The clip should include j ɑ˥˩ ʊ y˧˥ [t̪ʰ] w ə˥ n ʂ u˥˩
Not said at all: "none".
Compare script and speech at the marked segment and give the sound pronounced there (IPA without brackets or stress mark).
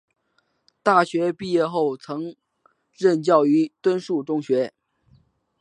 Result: t̪